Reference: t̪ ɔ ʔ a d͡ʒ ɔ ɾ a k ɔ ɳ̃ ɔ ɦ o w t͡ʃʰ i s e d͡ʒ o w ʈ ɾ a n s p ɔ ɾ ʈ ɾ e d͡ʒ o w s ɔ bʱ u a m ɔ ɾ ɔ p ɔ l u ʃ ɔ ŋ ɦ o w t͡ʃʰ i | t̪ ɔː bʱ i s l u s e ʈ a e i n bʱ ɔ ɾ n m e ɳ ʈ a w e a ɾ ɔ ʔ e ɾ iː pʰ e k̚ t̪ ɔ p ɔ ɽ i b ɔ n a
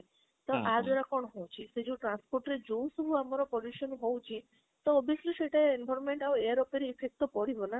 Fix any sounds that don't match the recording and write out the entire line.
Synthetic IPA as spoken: t̪ ɔ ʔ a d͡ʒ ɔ ɾ a k ɔ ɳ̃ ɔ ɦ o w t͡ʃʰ i s e d͡ʒ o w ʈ ɾ a n s p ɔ ɾ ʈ ɾ e d͡ʒ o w s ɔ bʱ u a m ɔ ɾ ɔ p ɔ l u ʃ ɔ n ɦ o w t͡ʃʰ i | t̪ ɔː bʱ i s l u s e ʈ a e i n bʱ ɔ ɾ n m e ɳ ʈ a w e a ɾ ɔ p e ɾ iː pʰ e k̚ t̪ ɔ p ɔ ɽ i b ɔ n a